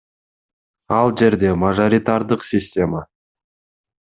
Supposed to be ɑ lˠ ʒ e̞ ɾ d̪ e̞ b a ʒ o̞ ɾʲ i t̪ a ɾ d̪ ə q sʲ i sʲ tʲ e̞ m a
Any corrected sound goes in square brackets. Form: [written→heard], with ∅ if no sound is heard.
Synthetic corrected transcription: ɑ lˠ ʒ e̞ ɾ d̪ e̞ [b→m] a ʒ o̞ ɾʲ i t̪ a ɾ d̪ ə q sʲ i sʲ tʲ e̞ m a